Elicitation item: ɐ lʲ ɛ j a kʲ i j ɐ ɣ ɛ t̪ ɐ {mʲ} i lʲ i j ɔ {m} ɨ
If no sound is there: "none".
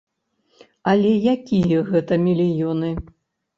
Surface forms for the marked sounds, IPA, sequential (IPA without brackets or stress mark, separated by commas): mʲ, n